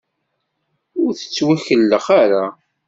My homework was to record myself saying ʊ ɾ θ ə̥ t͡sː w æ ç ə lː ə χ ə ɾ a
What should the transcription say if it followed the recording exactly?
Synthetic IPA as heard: ʊ ɾ θ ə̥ t͡sː w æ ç ə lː ə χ a ɾ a